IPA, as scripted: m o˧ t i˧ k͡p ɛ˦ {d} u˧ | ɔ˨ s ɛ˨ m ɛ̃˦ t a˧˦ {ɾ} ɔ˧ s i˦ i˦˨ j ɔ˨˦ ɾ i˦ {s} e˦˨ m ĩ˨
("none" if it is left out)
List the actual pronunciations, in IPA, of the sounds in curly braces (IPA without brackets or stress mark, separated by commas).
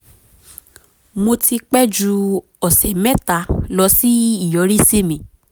d͡ʒ, l, s